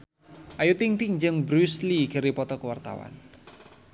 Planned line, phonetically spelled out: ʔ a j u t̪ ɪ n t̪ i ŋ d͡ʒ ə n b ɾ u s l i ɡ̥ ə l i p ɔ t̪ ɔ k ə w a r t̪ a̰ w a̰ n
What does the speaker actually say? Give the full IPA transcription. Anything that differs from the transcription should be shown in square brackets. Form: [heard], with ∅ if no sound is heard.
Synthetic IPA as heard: ʔ a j u t̪ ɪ [ŋ] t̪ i ŋ d͡ʒ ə [ŋ] b ɾ u s l i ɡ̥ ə [ɾ] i p ɔ t̪ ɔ k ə w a r t̪ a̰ w a̰ n